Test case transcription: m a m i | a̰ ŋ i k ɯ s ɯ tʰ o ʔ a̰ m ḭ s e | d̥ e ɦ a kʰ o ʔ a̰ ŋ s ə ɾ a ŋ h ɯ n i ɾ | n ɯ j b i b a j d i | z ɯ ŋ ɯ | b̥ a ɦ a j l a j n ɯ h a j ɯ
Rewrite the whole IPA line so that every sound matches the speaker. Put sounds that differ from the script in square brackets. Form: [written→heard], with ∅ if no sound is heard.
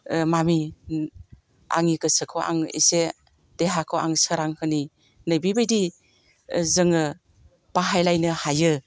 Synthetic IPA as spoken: m a m i | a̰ ŋ i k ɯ s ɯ [tʰ→kʰ] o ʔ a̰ [m→ŋ] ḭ s e | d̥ e ɦ a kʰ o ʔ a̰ ŋ s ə ɾ a ŋ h ɯ n i [ɾ→∅] | n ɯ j b i b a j d i | z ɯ ŋ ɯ | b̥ a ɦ a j l a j n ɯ h a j ɯ

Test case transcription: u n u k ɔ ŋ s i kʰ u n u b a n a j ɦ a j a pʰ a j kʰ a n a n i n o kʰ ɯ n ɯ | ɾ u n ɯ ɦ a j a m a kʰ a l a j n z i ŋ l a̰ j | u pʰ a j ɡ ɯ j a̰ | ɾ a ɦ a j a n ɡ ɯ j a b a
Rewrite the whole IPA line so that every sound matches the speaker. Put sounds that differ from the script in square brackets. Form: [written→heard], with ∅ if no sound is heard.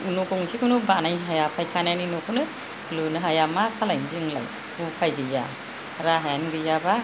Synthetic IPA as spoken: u n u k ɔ ŋ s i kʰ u n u b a n a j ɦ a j a pʰ a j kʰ a n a n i n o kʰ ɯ n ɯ | [ɾ→l] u n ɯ ɦ a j a m a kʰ a l a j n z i ŋ l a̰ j | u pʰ a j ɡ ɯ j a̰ | ɾ a ɦ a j a n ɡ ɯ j a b a

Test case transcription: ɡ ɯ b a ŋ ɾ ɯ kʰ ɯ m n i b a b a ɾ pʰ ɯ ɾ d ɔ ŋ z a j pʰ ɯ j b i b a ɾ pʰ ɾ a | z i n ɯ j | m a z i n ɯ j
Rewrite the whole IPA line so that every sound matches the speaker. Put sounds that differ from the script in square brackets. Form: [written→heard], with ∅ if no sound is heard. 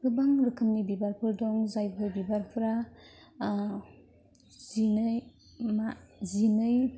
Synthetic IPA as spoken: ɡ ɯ b a ŋ ɾ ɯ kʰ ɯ m n i b [a→i] b a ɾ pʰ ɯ ɾ d ɔ ŋ z a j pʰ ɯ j b i b a ɾ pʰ ɾ a | z i n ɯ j | m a z i n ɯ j

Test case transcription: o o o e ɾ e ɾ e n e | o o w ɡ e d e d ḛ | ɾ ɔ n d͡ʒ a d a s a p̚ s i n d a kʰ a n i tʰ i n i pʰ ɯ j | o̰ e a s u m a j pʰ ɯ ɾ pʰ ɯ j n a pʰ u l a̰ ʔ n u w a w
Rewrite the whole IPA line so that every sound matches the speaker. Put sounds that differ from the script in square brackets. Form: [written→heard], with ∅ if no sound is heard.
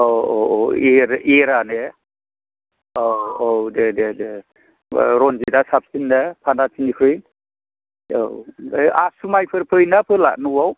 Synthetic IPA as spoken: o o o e ɾ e ɾ [e→a] n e | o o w [ɡ→d] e d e d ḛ | ɾ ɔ n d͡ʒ [a→i] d a s a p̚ s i n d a [kʰ→pʰ] a n [i→a] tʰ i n i pʰ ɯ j | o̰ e a s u m a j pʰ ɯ ɾ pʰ ɯ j n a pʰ [u→ɯ] l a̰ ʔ n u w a w

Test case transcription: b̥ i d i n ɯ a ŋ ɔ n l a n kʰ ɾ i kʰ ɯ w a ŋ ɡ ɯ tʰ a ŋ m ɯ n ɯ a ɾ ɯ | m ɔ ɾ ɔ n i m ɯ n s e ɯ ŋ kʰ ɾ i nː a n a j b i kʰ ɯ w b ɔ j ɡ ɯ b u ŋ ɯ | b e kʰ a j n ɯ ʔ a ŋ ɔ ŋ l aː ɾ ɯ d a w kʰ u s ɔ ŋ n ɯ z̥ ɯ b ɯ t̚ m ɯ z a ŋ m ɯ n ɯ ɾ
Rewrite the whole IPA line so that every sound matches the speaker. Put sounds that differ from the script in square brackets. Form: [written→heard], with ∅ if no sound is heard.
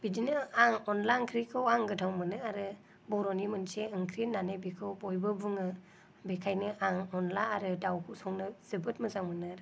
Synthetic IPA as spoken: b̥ i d i n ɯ a ŋ ɔ n l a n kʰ ɾ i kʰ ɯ w a ŋ ɡ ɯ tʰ a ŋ m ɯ n ɯ a ɾ ɯ | [m→b] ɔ ɾ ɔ n i m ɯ n s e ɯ ŋ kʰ ɾ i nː a n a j b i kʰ ɯ w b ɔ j [ɡ→b] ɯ b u ŋ ɯ | b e kʰ a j n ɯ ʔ a ŋ ɔ [ŋ→n] l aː ɾ ɯ d a w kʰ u s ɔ ŋ n ɯ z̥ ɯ b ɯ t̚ m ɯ z a ŋ m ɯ n ɯ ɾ

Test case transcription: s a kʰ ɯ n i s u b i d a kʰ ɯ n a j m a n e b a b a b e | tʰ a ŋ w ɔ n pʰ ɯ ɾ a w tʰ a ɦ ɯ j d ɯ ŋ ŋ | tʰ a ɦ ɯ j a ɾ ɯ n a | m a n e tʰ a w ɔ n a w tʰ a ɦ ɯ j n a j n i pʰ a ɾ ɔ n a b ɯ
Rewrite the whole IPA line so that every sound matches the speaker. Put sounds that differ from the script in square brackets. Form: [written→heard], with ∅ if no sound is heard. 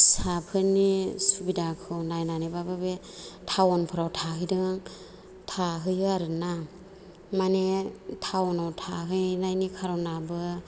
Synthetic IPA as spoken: s a [kʰ→pʰ] ɯ n i s u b i d a kʰ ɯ n a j [m→n] a n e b a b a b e | tʰ a [ŋ→∅] w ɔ n pʰ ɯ ɾ a w tʰ a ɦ ɯ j d ɯ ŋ ŋ | tʰ a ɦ ɯ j a ɾ ɯ n a | m a n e tʰ a w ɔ n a w tʰ a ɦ ɯ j n a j n i [pʰ→kʰ] a ɾ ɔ n a b ɯ

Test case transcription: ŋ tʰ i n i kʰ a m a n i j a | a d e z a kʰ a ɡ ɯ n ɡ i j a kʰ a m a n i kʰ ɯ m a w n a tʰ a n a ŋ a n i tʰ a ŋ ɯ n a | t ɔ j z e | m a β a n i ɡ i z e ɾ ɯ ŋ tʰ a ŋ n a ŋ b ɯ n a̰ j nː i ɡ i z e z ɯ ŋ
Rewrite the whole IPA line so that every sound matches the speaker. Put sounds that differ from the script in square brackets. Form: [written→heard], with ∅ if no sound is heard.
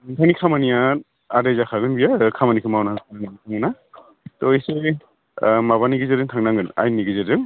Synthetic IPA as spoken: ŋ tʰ [i→a] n i kʰ a m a n i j a | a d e z a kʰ a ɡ ɯ n [ɡ→b] i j a kʰ a m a n i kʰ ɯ m a w n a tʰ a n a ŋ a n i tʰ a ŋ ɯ n a | t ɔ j [z→s] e | m a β a n i ɡ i z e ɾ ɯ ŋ tʰ a ŋ n a ŋ [b→ɡ] ɯ n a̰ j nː i ɡ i z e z ɯ ŋ

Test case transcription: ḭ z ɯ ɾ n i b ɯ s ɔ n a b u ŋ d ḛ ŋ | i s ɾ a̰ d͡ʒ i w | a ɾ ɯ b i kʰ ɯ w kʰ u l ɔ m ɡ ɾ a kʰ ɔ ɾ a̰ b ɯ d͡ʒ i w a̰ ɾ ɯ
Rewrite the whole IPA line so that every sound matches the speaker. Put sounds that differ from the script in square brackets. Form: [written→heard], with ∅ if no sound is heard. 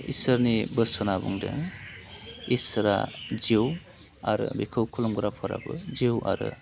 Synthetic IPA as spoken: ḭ [z→s] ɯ ɾ n i b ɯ s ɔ n a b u ŋ d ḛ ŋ | i s ɾ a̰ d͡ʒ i w | a ɾ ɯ b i kʰ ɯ w kʰ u l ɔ m ɡ ɾ a [kʰ→pʰ] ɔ ɾ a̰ b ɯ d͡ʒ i w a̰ ɾ ɯ

